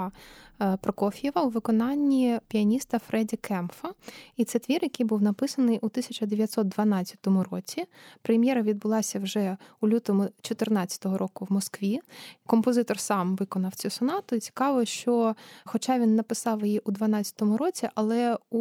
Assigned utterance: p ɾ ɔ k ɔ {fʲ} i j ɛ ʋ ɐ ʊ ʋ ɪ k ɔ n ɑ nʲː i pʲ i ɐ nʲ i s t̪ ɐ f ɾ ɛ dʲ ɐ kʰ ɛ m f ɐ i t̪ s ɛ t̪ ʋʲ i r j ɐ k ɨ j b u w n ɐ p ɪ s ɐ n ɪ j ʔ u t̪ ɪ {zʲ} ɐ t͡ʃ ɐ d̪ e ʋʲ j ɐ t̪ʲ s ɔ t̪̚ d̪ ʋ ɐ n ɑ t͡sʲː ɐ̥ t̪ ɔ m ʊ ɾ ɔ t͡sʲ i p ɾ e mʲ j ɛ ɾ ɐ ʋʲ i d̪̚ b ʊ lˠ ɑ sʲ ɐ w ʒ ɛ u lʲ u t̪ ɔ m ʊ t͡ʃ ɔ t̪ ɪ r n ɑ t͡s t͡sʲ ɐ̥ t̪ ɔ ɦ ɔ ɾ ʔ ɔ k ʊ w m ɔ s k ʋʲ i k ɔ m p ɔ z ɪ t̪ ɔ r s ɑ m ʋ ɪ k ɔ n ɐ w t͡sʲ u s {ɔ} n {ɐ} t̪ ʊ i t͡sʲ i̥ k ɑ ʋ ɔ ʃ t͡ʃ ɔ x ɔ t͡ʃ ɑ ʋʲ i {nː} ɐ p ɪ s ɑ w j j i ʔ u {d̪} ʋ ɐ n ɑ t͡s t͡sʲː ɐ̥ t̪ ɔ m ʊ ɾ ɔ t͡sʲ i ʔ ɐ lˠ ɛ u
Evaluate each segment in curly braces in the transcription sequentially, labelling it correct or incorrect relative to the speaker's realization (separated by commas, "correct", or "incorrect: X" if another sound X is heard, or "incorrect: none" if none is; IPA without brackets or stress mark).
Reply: correct, incorrect: sʲ, correct, incorrect: ɑ, correct, correct